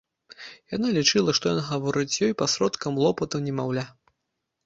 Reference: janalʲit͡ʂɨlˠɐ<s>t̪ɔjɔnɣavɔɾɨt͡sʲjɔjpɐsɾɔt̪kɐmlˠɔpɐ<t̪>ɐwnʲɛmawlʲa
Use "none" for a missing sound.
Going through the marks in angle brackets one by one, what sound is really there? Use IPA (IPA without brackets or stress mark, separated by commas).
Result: ʂ, t̪